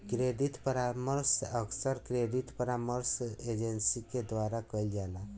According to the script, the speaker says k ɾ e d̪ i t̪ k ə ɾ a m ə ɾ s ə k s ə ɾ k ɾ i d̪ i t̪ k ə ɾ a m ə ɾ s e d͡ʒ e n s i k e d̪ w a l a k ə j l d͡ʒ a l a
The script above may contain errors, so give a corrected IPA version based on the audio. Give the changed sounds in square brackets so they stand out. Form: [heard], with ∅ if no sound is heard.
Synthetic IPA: k ɾ e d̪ i t̪ [p] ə ɾ a m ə ɾ s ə k s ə ɾ k ɾ [e] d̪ i t̪ [p] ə ɾ a m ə ɾ s e d͡ʒ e n s i k e d̪ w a [ɾ] a k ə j l d͡ʒ a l a

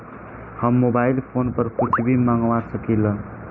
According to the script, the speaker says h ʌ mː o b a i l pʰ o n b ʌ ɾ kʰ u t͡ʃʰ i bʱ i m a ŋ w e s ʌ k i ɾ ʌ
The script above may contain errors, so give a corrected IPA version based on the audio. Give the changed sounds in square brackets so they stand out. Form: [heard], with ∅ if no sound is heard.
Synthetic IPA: h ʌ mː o b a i l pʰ o n [p] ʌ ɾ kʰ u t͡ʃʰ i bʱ i m a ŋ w [a] s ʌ k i [l] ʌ

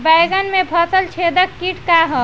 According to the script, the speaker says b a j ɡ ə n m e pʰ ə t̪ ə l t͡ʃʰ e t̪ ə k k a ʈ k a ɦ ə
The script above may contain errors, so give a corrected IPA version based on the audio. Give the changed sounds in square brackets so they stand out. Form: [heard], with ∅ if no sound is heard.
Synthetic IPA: b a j ɡ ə n m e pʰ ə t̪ ə l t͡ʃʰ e [d̪] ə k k [i] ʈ k a ɦ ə

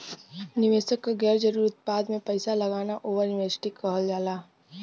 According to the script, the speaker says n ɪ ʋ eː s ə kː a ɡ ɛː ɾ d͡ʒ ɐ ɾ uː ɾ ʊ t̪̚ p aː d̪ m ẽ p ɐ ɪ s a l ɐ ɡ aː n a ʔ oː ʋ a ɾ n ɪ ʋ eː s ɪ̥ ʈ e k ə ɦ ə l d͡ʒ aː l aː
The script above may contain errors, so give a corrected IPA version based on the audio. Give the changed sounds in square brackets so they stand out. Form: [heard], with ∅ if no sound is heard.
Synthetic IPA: n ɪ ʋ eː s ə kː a ɡ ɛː ɾ d͡ʒ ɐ ɾ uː ɾ ʊ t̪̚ p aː d̪ m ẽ p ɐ ɪ s a l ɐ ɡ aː n a ʔ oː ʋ [ə] ɾ n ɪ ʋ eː s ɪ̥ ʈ [i] k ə ɦ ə l d͡ʒ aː l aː

